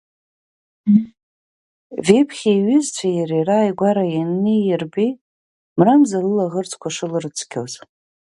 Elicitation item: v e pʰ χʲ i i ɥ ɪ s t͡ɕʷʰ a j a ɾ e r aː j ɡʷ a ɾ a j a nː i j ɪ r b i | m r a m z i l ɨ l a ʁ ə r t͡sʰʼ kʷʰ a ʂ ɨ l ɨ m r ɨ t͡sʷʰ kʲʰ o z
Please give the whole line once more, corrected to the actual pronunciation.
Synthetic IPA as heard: v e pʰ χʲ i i ɥ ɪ z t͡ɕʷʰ a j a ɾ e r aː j ɡʷ a ɾ a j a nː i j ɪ r b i | m r a m z a l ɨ l a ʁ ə r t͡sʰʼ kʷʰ a ʂ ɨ l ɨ r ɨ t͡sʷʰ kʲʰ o z